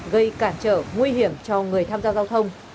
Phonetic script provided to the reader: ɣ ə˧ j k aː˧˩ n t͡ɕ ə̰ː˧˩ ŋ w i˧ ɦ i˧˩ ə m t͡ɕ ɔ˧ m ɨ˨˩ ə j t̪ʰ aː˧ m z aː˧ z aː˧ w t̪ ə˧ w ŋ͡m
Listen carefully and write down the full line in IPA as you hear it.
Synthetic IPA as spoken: ɣ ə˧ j k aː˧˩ n t͡ɕ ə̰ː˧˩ ŋ w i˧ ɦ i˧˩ ə m t͡ɕ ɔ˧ ŋ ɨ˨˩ ə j t̪ʰ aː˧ m z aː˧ z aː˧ w t̪ʰ ə˧ w ŋ͡m